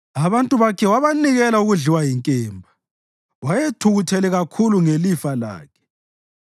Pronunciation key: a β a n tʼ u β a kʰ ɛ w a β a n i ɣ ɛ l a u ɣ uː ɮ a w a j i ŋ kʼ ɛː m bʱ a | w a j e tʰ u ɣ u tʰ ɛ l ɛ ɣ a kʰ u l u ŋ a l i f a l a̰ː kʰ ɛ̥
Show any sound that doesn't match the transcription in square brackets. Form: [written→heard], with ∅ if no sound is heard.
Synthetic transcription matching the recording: a β a n tʼ u β a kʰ ɛ w a β a n i ɣ ɛ l a u ɣ [uː→u] ɮ [a→i] w a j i ŋ kʼ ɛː m bʱ a | w a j e tʰ u ɣ u tʰ ɛ l ɛ ɣ a kʰ u l u ŋ [a→e] l i f a l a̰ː kʰ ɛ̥